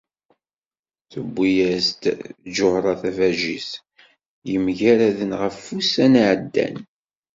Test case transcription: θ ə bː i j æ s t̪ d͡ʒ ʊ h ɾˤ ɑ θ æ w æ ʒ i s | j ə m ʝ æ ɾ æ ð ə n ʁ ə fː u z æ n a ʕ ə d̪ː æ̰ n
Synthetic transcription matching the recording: θ ə bː i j æ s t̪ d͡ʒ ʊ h ɾˤ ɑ θ æ v æ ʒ i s | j ə m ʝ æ ɾ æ ð ə n ʁ ə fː u s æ n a ʕ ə d̪ː æ̰ n

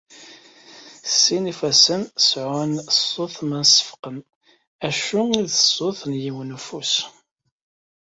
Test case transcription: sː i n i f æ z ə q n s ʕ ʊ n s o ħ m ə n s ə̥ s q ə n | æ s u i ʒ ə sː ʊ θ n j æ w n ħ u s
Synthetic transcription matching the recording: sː i n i f æ s ə n s ʕ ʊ n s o θ m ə n s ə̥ f q ə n | æ ʃ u i ð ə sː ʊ θ n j i w n f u s

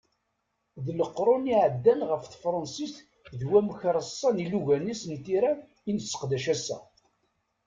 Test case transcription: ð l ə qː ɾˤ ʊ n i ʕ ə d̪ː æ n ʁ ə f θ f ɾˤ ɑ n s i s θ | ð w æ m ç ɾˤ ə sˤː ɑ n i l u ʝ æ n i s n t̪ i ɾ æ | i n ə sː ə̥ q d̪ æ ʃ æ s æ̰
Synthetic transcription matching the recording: ð l ə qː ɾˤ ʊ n i ʕ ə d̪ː æ n ʁ ə f θ f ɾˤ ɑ n s i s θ | ð w æ m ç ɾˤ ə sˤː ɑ n i l u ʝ æ n i s n t̪ i ɾ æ | i n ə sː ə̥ q d̪ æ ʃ æ s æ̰

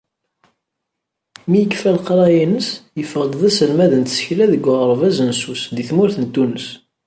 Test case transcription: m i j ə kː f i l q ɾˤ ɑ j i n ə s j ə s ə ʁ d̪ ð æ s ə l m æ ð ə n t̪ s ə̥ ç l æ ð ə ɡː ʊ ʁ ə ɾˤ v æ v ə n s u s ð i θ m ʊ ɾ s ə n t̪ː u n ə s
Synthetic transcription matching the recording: m i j ə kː f æ l q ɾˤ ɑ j i n ə s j ə f ə ʁ d̪ ð æ s ə l m æ ð ə n t̪ s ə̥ ç l æ ð ə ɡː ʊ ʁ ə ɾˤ v æ z ə n s u s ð i θ m ʊ ɾ θ ə n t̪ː u n ə s

